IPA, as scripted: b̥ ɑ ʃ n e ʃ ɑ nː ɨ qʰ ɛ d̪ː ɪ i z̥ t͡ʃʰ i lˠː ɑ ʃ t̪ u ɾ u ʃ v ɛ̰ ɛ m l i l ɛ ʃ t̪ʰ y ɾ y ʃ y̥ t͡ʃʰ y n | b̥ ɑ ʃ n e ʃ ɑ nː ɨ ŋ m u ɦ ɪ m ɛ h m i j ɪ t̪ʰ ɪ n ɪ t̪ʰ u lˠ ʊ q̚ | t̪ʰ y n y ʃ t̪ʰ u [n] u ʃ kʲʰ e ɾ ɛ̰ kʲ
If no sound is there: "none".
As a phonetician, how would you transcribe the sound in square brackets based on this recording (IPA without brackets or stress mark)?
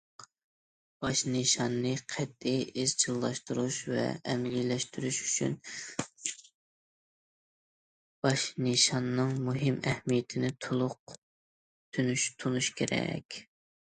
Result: n